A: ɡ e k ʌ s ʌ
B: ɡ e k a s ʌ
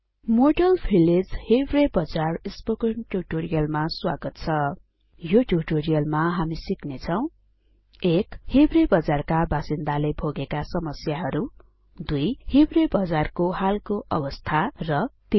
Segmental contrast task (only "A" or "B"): B